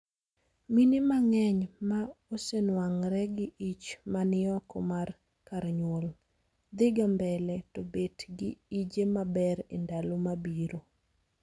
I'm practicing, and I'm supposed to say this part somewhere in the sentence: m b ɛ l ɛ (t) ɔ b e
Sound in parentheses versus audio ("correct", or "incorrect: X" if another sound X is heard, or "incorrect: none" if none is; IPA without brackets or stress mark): correct